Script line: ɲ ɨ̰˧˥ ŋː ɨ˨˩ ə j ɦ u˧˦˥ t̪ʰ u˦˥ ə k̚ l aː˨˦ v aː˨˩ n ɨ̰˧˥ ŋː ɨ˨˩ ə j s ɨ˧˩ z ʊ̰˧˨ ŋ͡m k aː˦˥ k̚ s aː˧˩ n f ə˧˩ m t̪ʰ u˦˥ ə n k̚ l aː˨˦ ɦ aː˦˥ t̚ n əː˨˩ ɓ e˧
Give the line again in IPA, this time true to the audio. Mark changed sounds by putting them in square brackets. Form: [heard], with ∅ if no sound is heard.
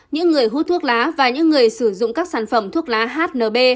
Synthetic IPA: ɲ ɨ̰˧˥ ŋː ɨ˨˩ ə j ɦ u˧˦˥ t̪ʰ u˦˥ ə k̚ l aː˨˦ v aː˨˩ [ɲ] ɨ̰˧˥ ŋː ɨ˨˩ ə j s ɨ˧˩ z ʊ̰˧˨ ŋ͡m k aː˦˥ k̚ s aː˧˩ n f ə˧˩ m t̪ʰ u˦˥ ə [∅] k̚ l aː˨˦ ɦ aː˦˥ t̚ n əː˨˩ ɓ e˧